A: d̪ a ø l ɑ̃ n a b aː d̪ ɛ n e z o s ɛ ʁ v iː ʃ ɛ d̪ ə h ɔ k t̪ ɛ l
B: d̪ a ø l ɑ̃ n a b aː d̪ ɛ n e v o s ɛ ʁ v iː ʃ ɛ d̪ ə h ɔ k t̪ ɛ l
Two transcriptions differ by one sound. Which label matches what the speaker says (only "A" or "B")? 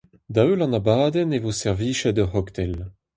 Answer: B